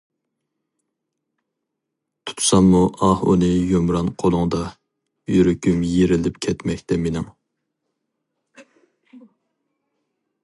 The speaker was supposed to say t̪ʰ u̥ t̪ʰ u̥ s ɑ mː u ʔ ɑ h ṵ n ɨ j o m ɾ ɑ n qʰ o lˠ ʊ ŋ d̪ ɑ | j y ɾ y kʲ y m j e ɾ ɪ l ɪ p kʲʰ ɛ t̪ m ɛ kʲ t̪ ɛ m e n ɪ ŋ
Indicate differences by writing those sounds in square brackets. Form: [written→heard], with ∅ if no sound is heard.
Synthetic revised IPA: t̪ʰ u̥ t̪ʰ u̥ s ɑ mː u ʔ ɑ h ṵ n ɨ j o m ɾ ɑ n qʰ o lˠ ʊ ŋ d̪ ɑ | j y ɾ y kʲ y m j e ɾ ɪ l ɪ p kʲʰ ɛ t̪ m ɛ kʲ t̪ ɛ m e n ɪ ŋ